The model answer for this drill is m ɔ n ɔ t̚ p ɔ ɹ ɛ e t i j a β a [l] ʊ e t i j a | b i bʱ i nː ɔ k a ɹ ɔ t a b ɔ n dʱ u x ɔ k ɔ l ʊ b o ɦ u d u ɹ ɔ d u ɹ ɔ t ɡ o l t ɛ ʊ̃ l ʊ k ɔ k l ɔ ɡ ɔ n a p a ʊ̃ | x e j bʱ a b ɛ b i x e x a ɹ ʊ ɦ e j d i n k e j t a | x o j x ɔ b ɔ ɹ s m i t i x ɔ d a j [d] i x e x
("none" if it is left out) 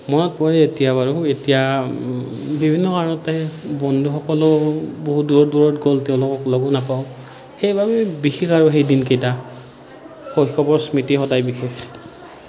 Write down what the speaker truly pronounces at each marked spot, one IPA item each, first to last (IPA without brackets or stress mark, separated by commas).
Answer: ɹ, b